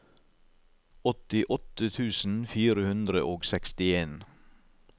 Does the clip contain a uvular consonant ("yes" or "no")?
no